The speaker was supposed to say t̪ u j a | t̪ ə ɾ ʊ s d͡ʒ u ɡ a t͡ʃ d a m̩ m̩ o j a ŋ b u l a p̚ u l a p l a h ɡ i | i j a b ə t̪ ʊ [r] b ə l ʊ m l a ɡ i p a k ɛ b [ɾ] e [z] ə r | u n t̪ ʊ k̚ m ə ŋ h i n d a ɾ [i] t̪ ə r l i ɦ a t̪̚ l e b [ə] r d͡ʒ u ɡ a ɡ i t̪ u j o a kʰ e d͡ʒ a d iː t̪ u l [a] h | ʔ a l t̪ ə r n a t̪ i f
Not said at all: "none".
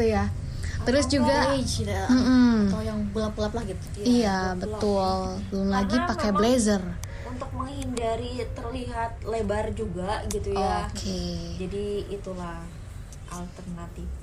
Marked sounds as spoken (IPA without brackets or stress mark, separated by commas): l, l, z, i, a, a